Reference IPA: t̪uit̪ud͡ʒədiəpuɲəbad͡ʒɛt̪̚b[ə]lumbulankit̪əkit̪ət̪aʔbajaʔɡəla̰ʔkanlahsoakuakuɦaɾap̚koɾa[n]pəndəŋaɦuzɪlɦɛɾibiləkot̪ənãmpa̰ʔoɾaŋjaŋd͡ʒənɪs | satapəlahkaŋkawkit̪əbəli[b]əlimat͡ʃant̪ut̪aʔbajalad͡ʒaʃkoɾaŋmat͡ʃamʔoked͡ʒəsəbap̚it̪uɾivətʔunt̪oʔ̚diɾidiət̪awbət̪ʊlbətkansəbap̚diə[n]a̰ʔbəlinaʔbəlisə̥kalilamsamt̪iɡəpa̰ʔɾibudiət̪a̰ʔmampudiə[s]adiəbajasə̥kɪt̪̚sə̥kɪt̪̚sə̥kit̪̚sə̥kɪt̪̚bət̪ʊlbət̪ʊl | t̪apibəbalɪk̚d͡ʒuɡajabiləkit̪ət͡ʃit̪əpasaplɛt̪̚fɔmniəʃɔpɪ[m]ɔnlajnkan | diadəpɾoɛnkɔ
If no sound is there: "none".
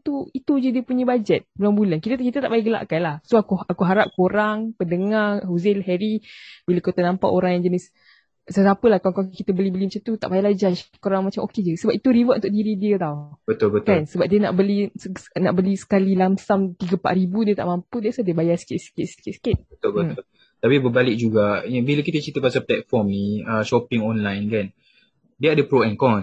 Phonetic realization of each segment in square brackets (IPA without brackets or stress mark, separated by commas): ə, ŋ, b, n, s, ŋ